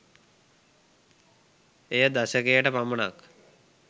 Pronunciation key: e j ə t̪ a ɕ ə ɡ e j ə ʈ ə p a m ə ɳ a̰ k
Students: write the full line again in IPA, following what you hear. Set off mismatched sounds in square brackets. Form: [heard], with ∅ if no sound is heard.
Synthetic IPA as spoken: e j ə [d̪] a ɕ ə [k] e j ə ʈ ə p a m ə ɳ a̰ k